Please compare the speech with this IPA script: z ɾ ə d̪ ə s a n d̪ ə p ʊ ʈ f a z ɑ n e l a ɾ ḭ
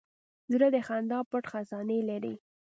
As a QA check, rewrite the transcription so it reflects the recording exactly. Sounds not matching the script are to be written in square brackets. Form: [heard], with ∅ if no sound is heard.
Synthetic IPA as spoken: z ɾ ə d̪ ə [x] a n d̪ [ɑ] p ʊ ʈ [x] a z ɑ n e l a ɾ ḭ